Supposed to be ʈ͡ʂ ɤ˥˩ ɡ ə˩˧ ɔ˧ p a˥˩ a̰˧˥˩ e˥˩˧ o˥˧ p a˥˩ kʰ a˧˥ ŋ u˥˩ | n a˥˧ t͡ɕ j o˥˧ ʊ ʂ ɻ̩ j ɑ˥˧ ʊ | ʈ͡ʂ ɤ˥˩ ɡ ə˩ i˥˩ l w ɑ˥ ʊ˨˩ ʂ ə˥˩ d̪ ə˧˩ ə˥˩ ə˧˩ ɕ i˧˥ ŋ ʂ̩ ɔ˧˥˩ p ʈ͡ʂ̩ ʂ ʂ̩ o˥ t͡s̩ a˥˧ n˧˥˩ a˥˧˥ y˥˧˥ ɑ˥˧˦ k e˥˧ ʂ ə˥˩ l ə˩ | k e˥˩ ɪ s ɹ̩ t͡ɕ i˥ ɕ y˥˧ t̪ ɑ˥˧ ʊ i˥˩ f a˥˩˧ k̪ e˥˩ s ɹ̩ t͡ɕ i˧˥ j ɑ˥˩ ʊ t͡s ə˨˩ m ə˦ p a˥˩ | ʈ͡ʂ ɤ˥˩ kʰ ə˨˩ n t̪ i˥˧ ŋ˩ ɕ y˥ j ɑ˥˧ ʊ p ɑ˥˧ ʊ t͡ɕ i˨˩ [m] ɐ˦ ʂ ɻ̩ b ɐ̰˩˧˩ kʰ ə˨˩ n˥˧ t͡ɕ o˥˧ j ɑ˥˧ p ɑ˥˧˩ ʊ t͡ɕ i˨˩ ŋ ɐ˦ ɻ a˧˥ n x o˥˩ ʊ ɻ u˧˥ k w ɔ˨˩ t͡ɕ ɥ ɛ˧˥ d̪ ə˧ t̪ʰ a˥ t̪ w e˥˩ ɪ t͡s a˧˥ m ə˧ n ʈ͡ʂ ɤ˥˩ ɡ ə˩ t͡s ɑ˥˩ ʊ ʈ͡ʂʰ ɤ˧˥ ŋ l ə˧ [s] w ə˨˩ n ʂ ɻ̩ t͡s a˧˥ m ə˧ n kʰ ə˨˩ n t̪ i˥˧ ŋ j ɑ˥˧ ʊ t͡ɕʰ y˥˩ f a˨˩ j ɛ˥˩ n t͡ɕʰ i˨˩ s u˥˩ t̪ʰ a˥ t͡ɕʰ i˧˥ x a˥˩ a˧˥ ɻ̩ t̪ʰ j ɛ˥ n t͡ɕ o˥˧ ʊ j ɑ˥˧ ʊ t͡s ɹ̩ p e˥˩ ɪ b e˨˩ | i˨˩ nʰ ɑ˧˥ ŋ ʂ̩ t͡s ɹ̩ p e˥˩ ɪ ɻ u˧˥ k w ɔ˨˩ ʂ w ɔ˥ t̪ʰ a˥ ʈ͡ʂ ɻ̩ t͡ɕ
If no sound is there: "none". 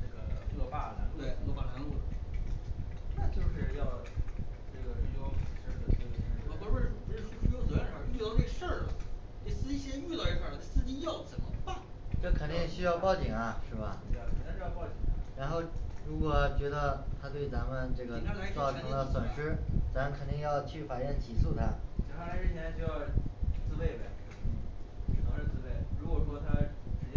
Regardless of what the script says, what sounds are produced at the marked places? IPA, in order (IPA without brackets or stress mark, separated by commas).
ŋ, s